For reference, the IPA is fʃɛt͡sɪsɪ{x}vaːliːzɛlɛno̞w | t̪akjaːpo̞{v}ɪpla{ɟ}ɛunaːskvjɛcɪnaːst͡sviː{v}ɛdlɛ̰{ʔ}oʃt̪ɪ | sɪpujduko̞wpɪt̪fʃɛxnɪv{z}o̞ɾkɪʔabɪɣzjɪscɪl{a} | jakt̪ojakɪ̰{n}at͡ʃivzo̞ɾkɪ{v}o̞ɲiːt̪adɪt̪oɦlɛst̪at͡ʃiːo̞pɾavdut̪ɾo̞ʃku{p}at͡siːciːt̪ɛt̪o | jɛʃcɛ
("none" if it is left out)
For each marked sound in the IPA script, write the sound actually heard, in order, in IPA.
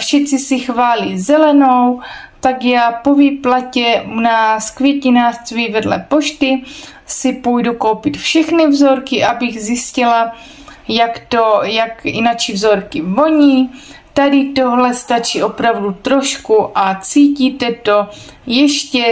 x, v, c, v, p, z, a, n, v, ʔ

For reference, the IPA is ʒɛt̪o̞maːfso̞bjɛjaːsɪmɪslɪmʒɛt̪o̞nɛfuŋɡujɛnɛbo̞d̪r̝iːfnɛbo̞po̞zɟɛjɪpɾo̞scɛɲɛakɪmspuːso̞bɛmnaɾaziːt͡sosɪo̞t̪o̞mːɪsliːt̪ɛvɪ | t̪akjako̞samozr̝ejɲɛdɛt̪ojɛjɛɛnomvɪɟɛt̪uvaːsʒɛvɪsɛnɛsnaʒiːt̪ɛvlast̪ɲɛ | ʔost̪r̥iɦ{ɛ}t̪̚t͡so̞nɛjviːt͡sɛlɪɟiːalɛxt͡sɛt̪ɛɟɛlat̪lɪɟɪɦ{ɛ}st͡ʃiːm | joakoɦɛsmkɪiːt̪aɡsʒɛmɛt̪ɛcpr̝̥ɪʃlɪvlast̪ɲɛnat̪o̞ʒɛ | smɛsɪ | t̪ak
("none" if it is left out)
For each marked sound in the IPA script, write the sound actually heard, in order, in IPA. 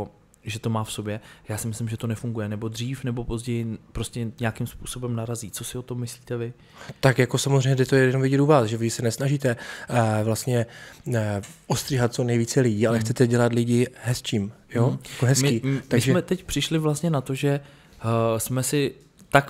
a, ɛ

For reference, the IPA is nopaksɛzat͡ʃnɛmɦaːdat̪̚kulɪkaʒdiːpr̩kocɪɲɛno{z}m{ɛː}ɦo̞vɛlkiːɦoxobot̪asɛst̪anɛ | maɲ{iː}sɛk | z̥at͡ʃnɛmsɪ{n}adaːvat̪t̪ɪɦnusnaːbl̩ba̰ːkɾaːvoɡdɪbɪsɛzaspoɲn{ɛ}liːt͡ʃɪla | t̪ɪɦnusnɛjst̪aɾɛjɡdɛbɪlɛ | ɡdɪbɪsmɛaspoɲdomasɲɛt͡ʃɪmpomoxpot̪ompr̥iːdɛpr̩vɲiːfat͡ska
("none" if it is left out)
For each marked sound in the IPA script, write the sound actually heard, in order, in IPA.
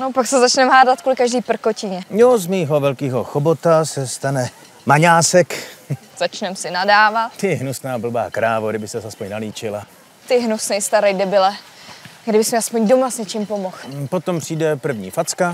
z, iː, aː, n, a

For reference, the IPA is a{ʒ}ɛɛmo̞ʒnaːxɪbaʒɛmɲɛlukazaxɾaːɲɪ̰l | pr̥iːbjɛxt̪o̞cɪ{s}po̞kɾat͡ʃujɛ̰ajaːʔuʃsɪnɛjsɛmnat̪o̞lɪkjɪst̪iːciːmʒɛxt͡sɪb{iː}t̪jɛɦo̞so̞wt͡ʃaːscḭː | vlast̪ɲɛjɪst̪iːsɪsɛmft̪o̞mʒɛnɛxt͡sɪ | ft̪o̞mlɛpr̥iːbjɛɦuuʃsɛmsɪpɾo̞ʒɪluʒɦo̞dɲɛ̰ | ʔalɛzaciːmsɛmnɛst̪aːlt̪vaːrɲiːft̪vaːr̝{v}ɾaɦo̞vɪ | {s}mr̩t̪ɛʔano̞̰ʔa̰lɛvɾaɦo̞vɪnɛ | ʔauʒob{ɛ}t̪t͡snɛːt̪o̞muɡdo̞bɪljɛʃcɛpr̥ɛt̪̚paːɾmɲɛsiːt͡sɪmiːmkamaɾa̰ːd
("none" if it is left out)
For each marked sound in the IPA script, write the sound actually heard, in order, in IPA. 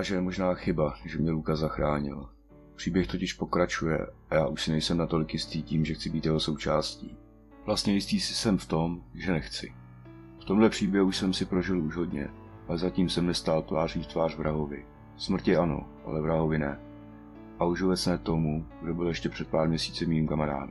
ʒ, ʃ, iː, v, s, ɛ

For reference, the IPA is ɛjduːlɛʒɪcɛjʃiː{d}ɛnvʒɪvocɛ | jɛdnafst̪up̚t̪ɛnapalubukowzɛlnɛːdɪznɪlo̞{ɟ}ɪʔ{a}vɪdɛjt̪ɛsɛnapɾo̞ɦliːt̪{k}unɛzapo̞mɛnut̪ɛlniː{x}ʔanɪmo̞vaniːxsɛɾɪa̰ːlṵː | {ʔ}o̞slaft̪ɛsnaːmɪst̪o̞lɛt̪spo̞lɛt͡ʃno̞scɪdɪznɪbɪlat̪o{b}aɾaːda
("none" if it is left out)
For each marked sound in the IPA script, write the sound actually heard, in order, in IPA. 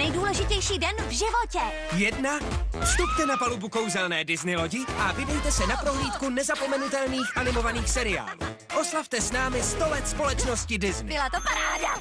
d, ɟ, a, k, x, ʔ, p

